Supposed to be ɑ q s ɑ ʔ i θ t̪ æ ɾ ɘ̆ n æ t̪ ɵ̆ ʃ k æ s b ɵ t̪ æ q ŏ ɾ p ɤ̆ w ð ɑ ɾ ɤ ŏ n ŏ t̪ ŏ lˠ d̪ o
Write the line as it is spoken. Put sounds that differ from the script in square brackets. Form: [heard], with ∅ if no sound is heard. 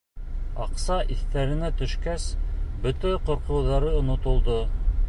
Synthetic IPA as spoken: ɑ q s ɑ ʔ i θ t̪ æ ɾ ɘ̆ n æ t̪ ɵ̆ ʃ k æ s b ɵ t̪ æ q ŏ ɾ [q] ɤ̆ w ð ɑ ɾ ɤ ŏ n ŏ t̪ ŏ lˠ d̪ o